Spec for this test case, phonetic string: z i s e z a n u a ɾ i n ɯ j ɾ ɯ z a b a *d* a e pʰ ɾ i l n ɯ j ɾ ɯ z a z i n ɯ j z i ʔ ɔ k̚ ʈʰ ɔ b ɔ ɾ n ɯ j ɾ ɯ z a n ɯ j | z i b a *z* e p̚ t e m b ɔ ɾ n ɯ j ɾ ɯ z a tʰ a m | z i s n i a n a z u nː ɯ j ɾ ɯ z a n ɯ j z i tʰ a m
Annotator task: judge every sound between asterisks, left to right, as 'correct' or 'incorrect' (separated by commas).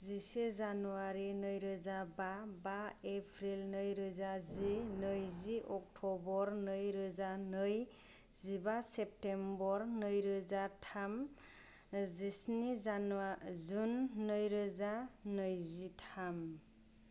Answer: incorrect, incorrect